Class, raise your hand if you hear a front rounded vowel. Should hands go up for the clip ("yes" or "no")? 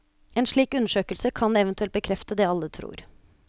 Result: yes